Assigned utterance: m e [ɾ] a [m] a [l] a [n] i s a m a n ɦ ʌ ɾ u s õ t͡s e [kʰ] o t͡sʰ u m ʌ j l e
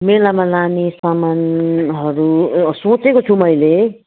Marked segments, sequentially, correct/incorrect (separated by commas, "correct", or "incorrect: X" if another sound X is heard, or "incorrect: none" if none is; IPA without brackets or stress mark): incorrect: l, correct, correct, correct, incorrect: k